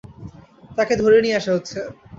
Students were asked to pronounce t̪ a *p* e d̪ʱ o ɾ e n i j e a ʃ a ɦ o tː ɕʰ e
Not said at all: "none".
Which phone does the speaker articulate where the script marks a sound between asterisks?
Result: k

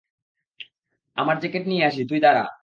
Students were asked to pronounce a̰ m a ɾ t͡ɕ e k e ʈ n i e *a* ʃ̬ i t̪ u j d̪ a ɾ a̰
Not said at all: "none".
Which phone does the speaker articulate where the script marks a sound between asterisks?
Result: a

